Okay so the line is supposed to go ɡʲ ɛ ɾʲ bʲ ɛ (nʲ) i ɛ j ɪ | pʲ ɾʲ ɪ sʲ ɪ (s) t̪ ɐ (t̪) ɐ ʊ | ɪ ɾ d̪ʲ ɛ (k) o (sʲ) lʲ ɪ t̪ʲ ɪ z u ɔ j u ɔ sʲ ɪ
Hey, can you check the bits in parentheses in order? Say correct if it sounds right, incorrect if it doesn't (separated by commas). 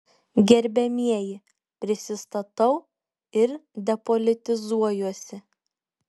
incorrect, correct, correct, incorrect, incorrect